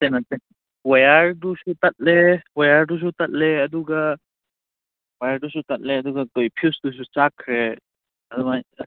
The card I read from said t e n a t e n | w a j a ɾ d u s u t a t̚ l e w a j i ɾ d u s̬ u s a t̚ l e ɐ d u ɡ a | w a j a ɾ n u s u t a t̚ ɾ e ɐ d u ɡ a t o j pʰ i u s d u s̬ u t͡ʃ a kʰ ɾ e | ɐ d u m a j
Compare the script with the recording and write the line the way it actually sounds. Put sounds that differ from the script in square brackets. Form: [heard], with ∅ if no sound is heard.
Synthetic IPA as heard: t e n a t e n | w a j a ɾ d u s u t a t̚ l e w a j [a] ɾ d u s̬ u [t] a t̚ l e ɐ d u ɡ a | w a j a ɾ [d] u s u t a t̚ [l] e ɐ d u ɡ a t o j pʰ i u s d u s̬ u t͡ʃ a kʰ ɾ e | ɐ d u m a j